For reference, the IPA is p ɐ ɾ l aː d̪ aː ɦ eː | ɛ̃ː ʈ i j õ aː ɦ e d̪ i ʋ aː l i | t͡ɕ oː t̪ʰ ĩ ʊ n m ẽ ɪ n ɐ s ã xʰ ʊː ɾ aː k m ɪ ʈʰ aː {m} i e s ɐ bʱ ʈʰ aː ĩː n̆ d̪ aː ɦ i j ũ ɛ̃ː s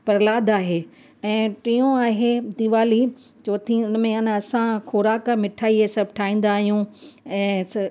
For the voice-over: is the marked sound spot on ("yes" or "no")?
no